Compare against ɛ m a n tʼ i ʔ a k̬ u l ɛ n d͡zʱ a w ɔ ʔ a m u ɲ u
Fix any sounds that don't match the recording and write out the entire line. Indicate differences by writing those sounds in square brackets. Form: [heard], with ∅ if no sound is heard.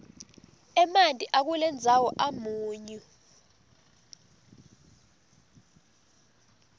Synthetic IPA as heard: ɛ m a n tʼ i ʔ a k̬ u l ɛ n d͡zʱ a w ɔ ʔ a m [uː] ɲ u